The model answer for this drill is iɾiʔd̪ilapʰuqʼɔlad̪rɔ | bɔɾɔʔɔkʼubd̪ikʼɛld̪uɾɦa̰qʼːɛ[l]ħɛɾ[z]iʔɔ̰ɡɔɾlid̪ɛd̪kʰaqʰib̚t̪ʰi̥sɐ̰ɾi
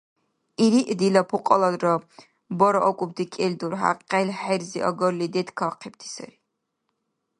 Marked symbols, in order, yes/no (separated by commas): yes, yes